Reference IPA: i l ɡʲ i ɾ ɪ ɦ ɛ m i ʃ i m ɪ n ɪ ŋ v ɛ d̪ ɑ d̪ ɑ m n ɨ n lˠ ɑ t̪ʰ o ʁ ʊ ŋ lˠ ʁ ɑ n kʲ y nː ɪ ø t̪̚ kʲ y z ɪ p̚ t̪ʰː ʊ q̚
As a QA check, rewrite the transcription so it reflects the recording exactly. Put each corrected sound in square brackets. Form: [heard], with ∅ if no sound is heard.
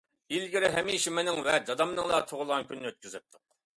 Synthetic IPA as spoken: i l ɡʲ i ɾ ɪ ɦ ɛ m i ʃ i m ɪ n ɪ ŋ v ɛ d̪ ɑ d̪ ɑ m n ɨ [ŋ] lˠ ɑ t̪ʰ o ʁ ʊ [∅] lˠ ʁ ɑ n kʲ y nː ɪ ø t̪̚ kʲ y z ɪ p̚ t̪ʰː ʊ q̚